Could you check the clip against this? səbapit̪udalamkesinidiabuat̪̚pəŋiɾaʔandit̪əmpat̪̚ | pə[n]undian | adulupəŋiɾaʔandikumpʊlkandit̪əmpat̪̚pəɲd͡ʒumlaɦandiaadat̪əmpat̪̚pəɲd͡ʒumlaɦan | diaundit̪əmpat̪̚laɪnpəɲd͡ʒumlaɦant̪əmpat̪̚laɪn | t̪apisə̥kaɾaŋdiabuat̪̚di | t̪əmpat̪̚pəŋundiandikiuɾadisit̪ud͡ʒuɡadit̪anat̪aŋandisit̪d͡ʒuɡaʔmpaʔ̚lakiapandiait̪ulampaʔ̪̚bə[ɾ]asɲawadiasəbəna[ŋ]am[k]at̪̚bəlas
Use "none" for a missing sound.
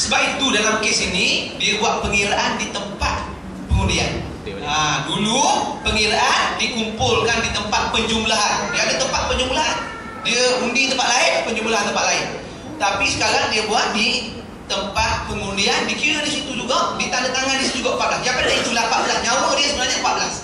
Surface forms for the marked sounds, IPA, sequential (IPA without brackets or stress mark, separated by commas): ŋ, l, ɲ, p